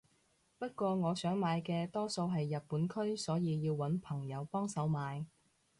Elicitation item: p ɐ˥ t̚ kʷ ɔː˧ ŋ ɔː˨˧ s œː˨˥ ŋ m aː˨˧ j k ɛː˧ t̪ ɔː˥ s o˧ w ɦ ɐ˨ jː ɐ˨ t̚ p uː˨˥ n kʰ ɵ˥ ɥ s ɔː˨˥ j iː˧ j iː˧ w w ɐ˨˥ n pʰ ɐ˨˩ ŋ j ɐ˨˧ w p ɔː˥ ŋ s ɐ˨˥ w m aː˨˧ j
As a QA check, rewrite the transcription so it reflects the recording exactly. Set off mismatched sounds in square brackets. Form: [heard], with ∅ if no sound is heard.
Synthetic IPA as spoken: p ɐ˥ t̚ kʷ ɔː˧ ŋ ɔː˨˧ s œː˨˥ ŋ m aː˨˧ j k ɛː˧ t̪ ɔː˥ s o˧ w ɦ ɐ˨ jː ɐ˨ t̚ p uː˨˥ n kʰ ɵ˥ ɥ s ɔː˨˥ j iː˧ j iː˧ w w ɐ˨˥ n pʰ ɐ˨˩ ŋ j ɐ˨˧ w p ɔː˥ ŋ s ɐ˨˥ w m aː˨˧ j